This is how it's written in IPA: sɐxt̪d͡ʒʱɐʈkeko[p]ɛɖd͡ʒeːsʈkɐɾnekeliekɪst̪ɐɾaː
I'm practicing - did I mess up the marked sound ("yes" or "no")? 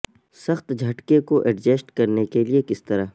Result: yes